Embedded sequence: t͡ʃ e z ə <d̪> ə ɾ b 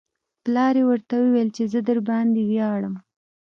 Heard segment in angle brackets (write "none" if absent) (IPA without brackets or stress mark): d̪